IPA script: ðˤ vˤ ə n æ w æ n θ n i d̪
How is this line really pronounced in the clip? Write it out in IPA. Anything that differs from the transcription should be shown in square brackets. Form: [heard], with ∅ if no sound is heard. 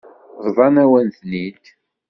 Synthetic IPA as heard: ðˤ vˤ [ɑ] n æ w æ n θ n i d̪